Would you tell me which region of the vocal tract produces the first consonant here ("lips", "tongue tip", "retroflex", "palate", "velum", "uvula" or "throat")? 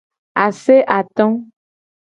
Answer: tongue tip